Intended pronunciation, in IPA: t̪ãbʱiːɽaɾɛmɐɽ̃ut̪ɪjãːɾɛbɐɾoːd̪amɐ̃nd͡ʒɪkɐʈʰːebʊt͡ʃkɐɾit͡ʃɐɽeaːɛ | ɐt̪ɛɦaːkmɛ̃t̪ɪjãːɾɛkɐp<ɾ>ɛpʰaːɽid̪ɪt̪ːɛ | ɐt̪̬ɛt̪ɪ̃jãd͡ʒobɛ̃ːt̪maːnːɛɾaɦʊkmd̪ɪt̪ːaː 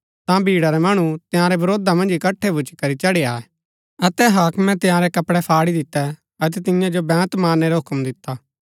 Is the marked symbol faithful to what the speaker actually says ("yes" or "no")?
no